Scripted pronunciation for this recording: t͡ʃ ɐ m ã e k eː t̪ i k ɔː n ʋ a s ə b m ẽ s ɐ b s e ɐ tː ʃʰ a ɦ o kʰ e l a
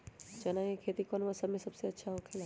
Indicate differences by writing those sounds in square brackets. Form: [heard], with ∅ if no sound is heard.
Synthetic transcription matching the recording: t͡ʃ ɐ [n] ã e [kʰ] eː t̪ i k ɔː n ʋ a s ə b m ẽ s ɐ b s e ɐ tː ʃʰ a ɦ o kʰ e l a